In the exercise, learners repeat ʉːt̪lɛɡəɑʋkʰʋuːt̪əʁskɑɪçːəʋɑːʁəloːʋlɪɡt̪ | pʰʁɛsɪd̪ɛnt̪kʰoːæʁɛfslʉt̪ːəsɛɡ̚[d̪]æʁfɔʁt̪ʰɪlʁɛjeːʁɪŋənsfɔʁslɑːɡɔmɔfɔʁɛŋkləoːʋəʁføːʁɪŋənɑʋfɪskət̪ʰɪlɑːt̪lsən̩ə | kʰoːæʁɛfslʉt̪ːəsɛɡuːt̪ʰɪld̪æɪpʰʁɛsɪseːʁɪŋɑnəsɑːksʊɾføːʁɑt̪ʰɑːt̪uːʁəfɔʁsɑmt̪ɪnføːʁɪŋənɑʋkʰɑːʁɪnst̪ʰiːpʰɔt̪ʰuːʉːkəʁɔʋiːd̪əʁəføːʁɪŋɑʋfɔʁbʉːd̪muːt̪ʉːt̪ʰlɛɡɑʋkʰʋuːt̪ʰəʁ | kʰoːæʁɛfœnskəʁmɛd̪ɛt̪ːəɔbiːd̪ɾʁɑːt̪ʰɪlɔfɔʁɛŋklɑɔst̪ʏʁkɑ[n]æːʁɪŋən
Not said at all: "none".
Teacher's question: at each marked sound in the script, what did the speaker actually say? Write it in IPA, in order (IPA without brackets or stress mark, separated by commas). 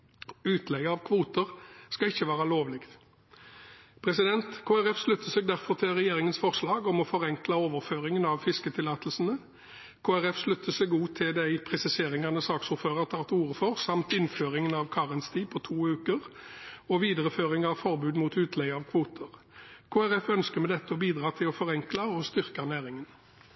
d̪, n